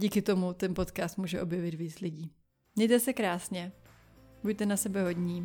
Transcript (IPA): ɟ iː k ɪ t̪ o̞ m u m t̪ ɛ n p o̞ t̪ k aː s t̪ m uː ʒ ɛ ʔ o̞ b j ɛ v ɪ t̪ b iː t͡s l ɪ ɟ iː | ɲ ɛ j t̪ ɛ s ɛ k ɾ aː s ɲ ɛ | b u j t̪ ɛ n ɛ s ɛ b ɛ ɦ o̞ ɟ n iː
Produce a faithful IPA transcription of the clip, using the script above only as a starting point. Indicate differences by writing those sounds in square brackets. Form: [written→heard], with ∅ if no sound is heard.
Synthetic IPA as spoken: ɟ iː k ɪ t̪ o̞ m u [m→∅] t̪ ɛ n p o̞ t̪ k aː s t̪ m uː ʒ ɛ ʔ o̞ b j ɛ v ɪ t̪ [b→v] iː t͡s l ɪ ɟ iː | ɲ ɛ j t̪ ɛ s ɛ k ɾ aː s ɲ ɛ | b u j t̪ ɛ n [ɛ→a] s ɛ b ɛ ɦ o̞ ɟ [n→ɲ] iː